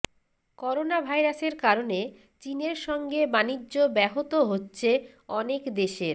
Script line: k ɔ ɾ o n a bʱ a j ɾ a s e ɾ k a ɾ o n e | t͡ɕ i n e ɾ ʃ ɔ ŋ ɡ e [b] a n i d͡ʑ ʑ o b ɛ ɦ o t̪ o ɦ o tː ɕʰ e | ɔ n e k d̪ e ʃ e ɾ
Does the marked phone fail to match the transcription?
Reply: no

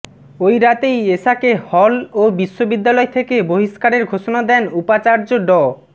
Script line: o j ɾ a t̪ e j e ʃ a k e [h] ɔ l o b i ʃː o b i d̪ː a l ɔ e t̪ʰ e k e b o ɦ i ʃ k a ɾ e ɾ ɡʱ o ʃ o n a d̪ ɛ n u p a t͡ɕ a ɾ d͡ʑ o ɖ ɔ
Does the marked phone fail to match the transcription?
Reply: no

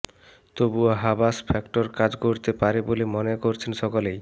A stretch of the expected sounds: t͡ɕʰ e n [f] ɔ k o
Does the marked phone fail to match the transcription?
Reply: yes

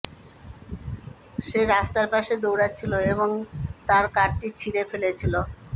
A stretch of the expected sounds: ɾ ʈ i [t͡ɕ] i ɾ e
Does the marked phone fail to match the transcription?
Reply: yes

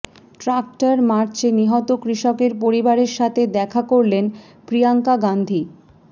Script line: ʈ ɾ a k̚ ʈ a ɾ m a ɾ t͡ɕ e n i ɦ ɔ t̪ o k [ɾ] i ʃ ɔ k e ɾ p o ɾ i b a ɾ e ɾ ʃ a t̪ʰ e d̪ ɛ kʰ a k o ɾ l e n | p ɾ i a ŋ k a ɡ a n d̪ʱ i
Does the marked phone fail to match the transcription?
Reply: no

